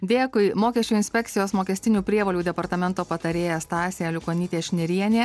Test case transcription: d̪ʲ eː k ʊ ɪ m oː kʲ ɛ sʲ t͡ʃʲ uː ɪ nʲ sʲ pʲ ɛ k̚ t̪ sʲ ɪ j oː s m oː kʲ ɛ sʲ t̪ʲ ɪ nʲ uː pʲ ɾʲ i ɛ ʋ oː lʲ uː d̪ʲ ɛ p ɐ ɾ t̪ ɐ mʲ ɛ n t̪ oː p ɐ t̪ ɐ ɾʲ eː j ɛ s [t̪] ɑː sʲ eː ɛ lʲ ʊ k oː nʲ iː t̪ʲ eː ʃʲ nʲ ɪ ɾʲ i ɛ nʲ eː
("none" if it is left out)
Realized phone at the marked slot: t̪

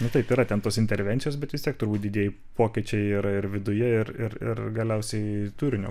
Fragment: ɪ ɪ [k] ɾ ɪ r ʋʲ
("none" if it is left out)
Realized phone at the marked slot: none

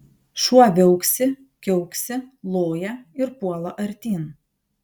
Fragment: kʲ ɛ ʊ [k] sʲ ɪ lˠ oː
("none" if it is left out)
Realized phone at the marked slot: k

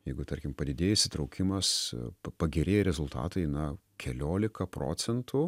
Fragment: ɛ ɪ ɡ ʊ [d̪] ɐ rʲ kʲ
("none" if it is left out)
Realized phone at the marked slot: t̪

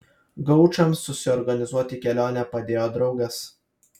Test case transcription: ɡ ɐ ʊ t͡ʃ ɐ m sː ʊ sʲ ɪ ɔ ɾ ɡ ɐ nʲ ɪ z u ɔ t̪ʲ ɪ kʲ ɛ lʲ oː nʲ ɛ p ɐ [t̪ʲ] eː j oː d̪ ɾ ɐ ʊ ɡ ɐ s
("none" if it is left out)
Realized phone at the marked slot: d̪ʲ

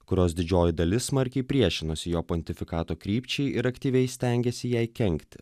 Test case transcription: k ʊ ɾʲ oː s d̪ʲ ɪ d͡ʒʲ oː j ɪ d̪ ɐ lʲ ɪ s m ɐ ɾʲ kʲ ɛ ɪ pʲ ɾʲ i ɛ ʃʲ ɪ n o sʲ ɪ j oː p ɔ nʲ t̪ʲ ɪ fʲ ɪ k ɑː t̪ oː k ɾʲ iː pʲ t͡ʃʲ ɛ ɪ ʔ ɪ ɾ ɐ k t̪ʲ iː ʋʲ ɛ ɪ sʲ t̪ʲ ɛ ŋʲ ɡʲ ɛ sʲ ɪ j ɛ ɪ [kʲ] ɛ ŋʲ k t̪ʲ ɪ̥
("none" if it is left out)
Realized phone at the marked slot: kʲ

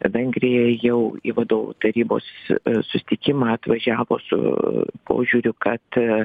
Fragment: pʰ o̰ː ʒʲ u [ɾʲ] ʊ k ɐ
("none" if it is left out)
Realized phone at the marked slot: ɾʲ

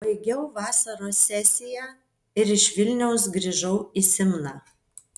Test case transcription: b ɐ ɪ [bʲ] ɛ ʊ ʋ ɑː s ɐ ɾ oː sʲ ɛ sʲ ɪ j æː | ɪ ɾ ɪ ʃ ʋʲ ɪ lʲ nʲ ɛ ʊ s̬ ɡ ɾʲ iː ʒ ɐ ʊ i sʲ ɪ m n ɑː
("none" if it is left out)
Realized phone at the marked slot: ɡʲ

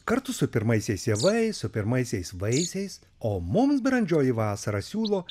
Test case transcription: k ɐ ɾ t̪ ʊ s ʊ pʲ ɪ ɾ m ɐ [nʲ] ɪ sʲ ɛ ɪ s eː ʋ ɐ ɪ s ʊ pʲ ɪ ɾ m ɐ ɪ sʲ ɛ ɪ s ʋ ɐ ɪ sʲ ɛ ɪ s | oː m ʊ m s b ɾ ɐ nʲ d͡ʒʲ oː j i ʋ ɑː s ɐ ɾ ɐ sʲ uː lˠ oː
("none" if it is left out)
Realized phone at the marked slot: none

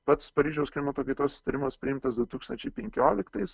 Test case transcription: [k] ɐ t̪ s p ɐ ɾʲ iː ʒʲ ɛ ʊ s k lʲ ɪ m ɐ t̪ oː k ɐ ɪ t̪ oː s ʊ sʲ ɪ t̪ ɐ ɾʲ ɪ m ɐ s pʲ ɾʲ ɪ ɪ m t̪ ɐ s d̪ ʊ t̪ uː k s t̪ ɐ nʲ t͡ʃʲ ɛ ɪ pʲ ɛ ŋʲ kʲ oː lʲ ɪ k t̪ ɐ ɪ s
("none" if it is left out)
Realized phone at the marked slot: p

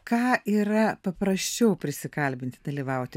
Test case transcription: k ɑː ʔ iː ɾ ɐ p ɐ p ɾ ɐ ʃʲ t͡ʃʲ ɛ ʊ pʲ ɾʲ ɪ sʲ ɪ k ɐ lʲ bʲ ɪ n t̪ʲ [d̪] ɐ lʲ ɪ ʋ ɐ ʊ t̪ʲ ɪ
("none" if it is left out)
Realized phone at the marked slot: d̪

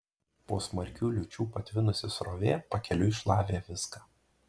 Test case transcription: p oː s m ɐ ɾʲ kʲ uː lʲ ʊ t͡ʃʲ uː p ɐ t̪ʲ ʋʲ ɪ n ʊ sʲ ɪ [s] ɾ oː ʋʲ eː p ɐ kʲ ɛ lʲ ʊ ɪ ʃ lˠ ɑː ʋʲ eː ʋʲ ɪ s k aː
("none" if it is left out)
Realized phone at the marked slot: s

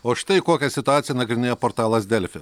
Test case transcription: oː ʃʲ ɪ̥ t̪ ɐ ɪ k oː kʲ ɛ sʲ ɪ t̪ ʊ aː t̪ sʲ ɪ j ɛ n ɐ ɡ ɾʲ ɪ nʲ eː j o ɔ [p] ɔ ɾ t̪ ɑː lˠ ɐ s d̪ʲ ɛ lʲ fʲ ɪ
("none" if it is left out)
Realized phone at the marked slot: p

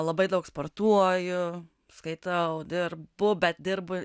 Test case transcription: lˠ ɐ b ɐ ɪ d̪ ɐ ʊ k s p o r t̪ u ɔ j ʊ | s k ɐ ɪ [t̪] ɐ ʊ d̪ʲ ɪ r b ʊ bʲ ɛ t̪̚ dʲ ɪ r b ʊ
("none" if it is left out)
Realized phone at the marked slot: t̪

